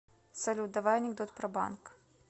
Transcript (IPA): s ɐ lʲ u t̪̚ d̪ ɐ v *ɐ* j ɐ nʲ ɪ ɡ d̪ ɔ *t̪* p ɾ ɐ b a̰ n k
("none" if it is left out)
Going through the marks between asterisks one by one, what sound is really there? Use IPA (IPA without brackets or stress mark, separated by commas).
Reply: a, t̪